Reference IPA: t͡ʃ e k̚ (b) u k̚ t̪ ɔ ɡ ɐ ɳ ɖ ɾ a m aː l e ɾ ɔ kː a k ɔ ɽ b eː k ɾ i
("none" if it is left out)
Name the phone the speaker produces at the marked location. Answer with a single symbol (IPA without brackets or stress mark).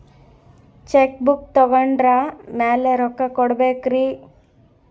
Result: b